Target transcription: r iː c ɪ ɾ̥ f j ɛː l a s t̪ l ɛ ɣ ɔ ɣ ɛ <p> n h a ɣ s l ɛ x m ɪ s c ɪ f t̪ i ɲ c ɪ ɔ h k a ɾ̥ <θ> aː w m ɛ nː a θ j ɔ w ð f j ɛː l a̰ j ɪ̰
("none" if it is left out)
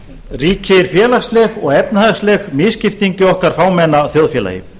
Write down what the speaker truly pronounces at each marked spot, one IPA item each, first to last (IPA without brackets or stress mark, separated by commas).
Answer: p, f